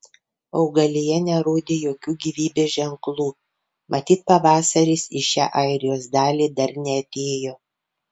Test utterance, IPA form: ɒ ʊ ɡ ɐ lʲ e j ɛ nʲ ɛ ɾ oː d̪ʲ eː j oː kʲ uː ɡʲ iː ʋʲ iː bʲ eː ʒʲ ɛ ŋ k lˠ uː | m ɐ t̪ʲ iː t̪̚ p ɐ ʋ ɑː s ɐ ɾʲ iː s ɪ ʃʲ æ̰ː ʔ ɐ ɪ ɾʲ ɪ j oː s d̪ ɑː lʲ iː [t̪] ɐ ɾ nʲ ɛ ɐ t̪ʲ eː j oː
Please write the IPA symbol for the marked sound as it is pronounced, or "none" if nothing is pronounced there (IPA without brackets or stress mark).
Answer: d̪